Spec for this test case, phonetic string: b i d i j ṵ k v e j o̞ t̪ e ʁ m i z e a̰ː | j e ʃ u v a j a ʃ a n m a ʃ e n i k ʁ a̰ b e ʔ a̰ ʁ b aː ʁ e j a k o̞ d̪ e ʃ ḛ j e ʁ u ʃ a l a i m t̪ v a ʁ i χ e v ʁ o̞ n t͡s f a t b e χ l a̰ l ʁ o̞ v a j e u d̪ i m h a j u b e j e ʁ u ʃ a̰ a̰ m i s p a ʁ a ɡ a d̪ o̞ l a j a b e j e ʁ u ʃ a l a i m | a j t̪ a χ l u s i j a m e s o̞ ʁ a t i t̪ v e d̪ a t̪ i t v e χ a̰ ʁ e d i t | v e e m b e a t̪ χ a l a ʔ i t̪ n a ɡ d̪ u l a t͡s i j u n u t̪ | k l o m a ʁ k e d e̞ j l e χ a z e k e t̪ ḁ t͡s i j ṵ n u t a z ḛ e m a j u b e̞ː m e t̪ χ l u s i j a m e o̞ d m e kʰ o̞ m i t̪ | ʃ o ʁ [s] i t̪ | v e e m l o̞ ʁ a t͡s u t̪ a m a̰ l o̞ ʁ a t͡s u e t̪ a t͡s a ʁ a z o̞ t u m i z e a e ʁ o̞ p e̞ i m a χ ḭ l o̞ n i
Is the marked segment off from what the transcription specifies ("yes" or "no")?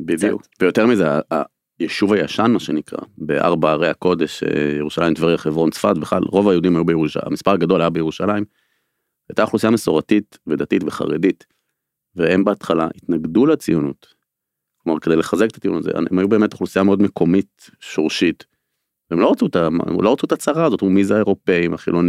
yes